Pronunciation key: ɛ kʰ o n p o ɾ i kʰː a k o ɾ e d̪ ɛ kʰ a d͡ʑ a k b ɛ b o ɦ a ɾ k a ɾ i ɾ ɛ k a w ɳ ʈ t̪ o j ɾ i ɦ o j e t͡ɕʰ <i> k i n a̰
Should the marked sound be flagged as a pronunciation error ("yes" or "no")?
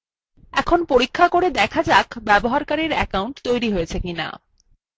yes